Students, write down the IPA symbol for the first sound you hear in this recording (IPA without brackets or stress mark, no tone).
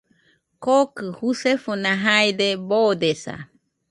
k